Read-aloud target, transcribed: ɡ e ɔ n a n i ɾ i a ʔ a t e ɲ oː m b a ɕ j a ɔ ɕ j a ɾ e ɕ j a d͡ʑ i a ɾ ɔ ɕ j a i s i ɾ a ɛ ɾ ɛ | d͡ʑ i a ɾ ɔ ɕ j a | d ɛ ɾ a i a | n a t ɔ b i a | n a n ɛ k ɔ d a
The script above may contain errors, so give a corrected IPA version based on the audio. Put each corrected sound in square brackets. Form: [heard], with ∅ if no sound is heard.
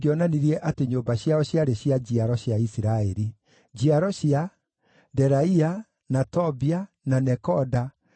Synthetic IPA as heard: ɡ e ɔ n a n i ɾ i [ɛ] ʔ a t e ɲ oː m b a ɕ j a ɔ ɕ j a ɾ e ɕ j a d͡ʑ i a ɾ ɔ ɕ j a i s i ɾ a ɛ ɾ [i] | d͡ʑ i a ɾ ɔ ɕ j a | d ɛ ɾ a i a | n a t ɔ b i a | n a n ɛ k ɔ d a

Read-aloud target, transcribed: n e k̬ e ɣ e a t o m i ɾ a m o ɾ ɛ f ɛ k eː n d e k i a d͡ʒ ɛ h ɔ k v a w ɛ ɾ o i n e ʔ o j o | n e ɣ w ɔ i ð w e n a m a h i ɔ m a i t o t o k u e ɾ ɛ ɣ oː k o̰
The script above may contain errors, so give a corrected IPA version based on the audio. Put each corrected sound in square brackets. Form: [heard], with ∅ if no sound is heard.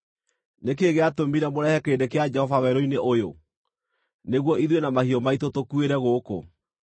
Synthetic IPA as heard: n e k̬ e ɣ e a t o m i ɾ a m o ɾ ɛ [h] ɛ k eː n d e k [e] a d͡ʒ ɛ h ɔ [∅] v a w ɛ ɾ o i n e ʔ o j o | n e ɣ w ɔ i ð w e n a m a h i ɔ m a i t o t o k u e ɾ ɛ ɣ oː k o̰

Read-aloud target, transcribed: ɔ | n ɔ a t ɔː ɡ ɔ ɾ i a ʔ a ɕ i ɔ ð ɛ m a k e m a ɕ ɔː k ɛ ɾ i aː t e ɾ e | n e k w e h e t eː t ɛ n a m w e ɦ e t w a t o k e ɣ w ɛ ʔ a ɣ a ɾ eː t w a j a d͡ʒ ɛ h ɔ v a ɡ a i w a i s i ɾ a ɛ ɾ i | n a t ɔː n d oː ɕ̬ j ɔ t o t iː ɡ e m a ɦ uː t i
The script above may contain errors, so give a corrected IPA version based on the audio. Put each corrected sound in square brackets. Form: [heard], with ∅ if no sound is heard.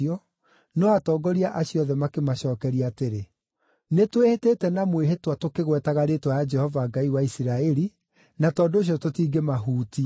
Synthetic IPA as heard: ɔ | n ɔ a t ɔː ɡ ɔ ɾ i a ʔ a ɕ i ɔ ð ɛ m a k e m a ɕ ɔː k ɛ ɾ i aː t e ɾ e | n e [t] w e h e t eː t ɛ n a m w e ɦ e t w a t o k e ɣ w ɛ [t] a ɣ a ɾ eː t w a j a d͡ʒ ɛ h ɔ v a ɡ a i w a i s i ɾ a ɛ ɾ i | n a t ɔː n d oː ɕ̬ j ɔ t o t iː ɡ e m a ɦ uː t i

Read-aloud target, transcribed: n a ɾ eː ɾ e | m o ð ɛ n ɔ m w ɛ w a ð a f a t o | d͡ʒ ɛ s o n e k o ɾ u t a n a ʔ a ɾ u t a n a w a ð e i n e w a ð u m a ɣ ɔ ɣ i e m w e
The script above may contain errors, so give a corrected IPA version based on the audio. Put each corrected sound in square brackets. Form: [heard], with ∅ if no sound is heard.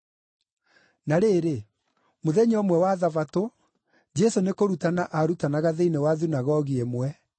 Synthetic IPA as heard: n a ɾ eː ɾ e | m o ð ɛ [ɲ] ɔ m w ɛ w a ð a [v] a t o | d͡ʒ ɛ s o n e k o ɾ u t a n a ʔ a ɾ u t a n a [ɣ] a ð e i n e w a ð u [n] a ɣ ɔ ɣ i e m w [ɛ]

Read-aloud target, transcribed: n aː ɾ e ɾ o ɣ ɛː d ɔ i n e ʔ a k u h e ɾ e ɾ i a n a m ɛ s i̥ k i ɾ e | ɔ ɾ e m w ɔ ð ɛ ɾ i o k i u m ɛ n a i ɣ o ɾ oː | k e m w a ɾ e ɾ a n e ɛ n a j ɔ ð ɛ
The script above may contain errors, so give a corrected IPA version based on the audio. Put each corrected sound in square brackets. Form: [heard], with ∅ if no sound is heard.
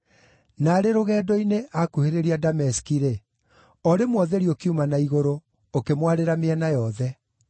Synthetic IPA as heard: n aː ɾ e ɾ o ɣ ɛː d ɔ i n e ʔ a k u h e ɾ e ɾ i a [d] a m ɛ s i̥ k i ɾ e | ɔ ɾ e m w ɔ ð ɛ ɾ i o k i u m [a] n a i ɣ o ɾ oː | k e m w a ɾ e ɾ a [m] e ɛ n a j ɔ ð ɛ

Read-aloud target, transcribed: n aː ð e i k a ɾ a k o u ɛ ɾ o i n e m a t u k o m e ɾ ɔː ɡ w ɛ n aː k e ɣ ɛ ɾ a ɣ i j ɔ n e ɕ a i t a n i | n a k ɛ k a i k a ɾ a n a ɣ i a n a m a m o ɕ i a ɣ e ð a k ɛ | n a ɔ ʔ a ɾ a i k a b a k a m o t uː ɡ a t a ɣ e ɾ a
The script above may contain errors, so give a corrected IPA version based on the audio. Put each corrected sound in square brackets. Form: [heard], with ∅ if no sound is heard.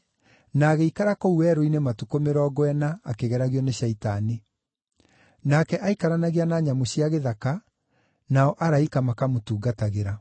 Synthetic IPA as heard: n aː [ɣ] e i k a ɾ a k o u ɛ ɾ o i n e m a t u k o m e ɾ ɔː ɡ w ɛ n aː k e ɣ ɛ ɾ a ɣ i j ɔ n e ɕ a i t a n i | n a k ɛ [ʔ] a i k a ɾ a n a ɣ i a n a [ɲ] a m o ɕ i a ɣ e ð a k [a] | n a ɔ ʔ a ɾ a i k a [m] a k a m o t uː ɡ a t a ɣ e ɾ a

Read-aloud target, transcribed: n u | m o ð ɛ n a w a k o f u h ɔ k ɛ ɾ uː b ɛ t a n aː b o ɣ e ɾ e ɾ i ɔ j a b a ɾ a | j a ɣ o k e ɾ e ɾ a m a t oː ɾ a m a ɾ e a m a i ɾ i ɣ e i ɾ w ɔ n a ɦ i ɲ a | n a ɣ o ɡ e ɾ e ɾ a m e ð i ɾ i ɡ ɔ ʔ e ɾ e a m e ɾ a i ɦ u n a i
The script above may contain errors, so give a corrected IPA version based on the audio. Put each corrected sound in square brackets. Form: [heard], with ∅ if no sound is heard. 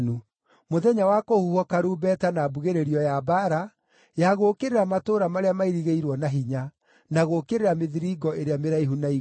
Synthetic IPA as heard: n u | m o ð ɛ [ɲ] a w a k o [h] u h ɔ k [a] ɾ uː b ɛ t a n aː b [u] ɣ e ɾ e ɾ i ɔ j a b a ɾ a | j a ɣ o k e ɾ e ɾ a m a t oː ɾ a m a ɾ e a m a i ɾ i ɣ e i ɾ w ɔ n a ɦ i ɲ a | n a ɣ o [k] e ɾ e ɾ a m e ð i ɾ i ɡ ɔ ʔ e ɾ e a m e ɾ a i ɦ u n a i

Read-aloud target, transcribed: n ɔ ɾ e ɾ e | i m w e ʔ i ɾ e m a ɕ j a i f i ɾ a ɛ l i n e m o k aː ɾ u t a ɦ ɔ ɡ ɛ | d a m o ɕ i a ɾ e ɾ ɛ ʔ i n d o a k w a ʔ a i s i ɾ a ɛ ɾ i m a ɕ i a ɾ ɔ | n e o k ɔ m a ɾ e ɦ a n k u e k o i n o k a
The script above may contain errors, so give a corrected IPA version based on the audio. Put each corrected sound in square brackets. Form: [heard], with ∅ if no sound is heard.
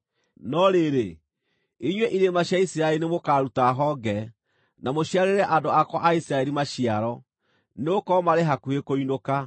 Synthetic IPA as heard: n ɔ ɾ e ɾ e | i [ɲ] w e ʔ i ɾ e m a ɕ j a i [s] i ɾ a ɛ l i n e m o k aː ɾ u t a ɦ ɔ ɡ ɛ | [n] a m o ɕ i a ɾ e ɾ ɛ ʔ [a] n d o a k w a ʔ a i s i ɾ a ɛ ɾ i m a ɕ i a ɾ ɔ | n e o k ɔ m a ɾ e ɦ a [∅] k u e k o i n o k a

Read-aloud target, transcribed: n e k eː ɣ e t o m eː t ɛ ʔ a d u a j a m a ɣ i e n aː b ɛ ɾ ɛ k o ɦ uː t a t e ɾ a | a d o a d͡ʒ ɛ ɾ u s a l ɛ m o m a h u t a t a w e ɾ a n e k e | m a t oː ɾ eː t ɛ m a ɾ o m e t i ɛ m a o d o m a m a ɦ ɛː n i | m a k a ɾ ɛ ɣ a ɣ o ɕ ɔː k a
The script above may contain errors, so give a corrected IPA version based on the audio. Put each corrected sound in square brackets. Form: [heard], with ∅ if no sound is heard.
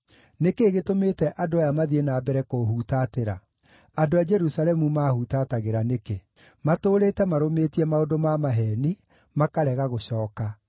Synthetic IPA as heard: n e k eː ɣ e t o m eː t ɛ ʔ a d [o] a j a m a [ð] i e n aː b ɛ ɾ ɛ k o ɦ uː t a t e ɾ a | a d o a d͡ʒ ɛ ɾ u s a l ɛ m [u] m a h u t a t a [ɣ] e ɾ a n e k e | m a t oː ɾ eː t ɛ m a ɾ o m e t i ɛ m a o d o m a m a ɦ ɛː n i | m a k a ɾ ɛ ɣ a ɣ o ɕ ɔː k a

